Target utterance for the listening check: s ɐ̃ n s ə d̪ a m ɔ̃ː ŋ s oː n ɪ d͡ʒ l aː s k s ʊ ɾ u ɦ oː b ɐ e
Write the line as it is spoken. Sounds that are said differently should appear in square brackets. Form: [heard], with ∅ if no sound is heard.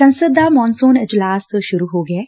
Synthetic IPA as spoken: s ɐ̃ n s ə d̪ a m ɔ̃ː [n] s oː n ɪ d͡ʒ l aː s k [ʃ] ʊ ɾ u ɦ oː [ɡ] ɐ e

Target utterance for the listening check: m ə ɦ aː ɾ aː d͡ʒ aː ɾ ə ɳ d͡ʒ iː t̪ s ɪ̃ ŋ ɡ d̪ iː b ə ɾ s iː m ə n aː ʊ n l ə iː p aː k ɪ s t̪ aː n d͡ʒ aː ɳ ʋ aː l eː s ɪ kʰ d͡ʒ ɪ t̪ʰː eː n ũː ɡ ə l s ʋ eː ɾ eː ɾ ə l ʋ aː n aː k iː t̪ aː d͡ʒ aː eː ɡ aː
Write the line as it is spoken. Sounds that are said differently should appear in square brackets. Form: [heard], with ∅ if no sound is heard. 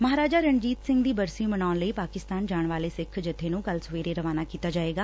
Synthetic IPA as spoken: m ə ɦ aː ɾ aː d͡ʒ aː ɾ ə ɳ d͡ʒ iː t̪ s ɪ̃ ŋ ɡ d̪ iː b ə ɾ s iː m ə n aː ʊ n l ə iː p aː k ɪ s t̪ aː n d͡ʒ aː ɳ ʋ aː l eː s ɪ kʰ d͡ʒ ɪ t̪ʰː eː n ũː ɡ ə l s ʋ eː ɾ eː ɾ ə [∅] ʋ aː n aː k iː t̪ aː d͡ʒ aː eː ɡ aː

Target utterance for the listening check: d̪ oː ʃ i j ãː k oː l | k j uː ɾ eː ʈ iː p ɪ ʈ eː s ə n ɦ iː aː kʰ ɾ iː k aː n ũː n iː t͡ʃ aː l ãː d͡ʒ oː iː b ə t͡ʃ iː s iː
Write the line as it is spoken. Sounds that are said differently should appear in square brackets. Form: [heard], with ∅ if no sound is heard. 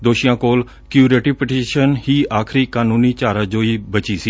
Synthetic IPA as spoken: d̪ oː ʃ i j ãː k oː l | k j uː ɾ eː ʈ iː p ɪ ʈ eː [ʃ] ə n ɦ iː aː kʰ ɾ iː k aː n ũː n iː t͡ʃ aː [ɾ] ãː d͡ʒ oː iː b ə t͡ʃ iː s iː

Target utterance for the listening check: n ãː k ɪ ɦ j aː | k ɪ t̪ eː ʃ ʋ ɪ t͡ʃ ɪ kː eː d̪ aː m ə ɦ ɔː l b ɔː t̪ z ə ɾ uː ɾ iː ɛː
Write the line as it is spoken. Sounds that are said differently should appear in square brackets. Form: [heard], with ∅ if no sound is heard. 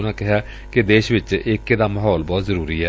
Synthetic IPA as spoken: n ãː k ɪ ɦ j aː | k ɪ [d̪] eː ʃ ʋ ɪ t͡ʃ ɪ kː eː d̪ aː m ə ɦ ɔː l b ɔː t̪ z ə ɾ uː ɾ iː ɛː

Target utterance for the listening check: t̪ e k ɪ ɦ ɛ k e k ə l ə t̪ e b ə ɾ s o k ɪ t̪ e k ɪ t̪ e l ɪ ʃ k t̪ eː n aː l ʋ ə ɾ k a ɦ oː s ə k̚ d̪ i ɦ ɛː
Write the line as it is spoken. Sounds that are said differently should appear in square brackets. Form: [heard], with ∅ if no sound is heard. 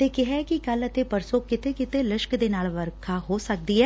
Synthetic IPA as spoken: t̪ e k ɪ ɦ ɛ k [i] k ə l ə t̪ e [p] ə ɾ s o k ɪ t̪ e k ɪ t̪ e l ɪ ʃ k [d̪] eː n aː l ʋ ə ɾ [kʰ] a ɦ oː s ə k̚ d̪ i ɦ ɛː

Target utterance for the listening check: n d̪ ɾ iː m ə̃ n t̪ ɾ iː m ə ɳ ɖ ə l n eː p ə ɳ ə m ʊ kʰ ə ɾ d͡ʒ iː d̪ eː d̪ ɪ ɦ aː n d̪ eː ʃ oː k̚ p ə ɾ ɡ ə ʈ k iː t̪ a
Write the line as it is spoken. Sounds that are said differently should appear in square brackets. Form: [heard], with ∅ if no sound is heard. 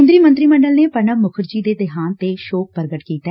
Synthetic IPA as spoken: n d̪ ɾ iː m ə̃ n t̪ ɾ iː m ə ɳ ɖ ə l n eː p ə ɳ ə m ʊ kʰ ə ɾ d͡ʒ iː d̪ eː d̪ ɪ ɦ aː n [t̪] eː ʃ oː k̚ p ə ɾ ɡ ə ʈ k iː t̪ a

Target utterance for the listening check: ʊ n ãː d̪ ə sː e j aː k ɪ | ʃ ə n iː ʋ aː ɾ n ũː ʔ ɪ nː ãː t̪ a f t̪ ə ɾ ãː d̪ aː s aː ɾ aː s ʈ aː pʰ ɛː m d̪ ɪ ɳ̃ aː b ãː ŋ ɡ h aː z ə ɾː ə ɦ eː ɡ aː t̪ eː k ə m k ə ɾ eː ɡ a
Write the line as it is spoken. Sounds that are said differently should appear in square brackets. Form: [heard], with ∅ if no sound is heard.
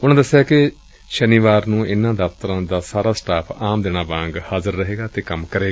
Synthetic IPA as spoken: ʊ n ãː d̪ ə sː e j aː k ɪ | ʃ ə n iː ʋ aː ɾ n ũː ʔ ɪ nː ãː [d̪] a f t̪ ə ɾ ãː d̪ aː s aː ɾ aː s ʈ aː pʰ [aː] m d̪ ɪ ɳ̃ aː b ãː ŋ ɡ h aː z ə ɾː ə ɦ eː ɡ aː t̪ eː k ə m k ə ɾ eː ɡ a

